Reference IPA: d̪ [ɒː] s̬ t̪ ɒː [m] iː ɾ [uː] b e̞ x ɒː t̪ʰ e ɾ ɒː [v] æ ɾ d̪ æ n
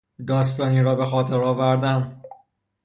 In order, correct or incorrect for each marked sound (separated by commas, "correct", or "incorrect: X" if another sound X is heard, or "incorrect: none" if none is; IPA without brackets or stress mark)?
correct, incorrect: n, incorrect: ɒː, correct